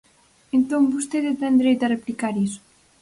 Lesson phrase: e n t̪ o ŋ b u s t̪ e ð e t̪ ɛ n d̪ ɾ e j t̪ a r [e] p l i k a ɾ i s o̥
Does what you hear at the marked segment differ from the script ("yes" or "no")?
no